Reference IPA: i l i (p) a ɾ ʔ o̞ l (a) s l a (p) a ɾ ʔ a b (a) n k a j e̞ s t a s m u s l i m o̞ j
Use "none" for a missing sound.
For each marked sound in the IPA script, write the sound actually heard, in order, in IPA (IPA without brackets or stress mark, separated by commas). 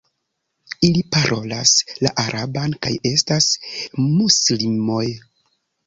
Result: p, a, ʔ, a